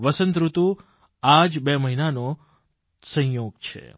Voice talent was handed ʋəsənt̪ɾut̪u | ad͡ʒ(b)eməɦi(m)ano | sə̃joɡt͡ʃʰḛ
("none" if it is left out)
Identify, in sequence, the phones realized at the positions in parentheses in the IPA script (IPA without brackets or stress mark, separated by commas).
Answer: b, n